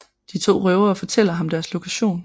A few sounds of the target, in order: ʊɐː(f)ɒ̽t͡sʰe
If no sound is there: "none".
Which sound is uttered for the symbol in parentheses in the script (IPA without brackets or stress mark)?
f